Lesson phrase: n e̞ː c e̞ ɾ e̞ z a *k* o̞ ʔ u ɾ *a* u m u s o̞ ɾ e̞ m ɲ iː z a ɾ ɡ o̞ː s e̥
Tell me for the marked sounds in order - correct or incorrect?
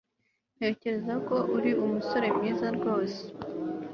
correct, incorrect: i

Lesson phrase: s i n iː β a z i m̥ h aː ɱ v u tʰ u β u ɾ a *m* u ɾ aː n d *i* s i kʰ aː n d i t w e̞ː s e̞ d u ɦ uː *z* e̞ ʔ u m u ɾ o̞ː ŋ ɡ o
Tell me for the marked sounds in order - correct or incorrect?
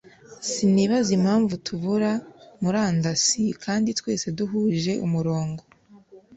correct, incorrect: a, incorrect: ʒ

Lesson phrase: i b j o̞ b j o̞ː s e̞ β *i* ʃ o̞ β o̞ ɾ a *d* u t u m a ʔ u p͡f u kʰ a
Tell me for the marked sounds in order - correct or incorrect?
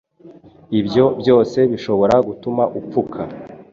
correct, incorrect: ɡ

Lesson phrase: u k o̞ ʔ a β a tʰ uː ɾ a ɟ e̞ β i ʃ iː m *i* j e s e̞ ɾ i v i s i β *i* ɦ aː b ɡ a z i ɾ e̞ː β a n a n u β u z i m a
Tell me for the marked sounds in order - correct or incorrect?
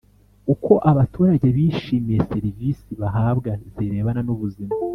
correct, incorrect: a

